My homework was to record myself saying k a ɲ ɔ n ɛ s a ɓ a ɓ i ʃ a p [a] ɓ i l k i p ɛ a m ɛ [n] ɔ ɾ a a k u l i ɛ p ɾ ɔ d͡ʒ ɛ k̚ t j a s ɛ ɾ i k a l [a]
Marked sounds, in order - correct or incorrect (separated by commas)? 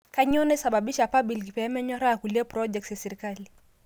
correct, incorrect, incorrect